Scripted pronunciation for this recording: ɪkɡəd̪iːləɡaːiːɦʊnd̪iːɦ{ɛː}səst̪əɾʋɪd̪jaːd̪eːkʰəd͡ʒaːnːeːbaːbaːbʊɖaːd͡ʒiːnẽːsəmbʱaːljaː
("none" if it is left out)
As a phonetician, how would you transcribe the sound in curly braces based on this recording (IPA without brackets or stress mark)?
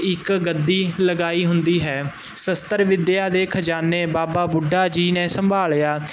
ɛː